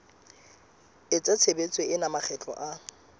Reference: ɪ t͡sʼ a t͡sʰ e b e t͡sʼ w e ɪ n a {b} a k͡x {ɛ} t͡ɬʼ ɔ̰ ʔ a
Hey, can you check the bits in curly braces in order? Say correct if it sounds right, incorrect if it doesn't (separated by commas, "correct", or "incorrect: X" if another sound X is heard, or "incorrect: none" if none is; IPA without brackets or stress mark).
incorrect: m, correct